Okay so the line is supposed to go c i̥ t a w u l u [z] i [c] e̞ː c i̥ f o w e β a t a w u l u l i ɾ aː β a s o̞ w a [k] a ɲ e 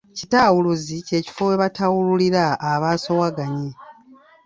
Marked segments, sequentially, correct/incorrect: correct, correct, incorrect: ɡ

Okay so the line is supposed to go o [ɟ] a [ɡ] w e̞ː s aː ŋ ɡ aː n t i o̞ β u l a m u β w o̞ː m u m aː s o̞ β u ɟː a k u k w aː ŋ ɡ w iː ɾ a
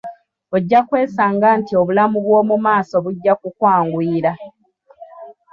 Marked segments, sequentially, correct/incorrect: incorrect: ɟː, incorrect: k

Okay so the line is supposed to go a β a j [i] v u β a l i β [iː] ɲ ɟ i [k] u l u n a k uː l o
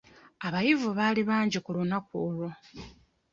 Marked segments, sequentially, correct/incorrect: correct, incorrect: aː, correct

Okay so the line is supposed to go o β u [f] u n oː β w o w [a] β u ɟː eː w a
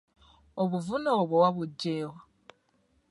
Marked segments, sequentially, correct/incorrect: incorrect: v, correct

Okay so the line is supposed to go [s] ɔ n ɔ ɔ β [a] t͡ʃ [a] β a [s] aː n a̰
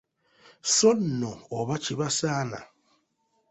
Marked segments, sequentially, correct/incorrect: correct, correct, incorrect: i, correct

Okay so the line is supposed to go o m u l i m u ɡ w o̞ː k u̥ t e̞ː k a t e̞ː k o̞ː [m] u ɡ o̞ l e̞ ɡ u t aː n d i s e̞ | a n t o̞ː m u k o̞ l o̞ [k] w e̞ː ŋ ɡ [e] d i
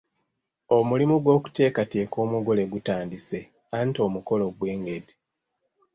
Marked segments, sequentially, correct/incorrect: correct, incorrect: ɡ, correct

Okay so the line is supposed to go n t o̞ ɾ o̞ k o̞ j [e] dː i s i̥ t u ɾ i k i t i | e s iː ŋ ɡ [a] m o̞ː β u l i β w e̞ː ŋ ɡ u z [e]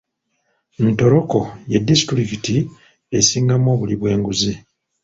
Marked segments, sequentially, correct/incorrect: correct, correct, incorrect: i

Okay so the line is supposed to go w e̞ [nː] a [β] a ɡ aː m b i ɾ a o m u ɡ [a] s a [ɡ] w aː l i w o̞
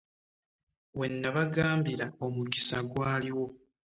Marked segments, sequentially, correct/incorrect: correct, correct, incorrect: i, correct

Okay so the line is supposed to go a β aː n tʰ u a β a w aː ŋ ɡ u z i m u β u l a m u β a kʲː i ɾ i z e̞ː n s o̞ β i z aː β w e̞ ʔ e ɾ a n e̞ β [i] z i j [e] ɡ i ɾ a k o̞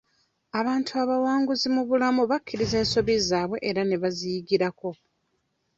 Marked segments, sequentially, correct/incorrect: incorrect: a, incorrect: i

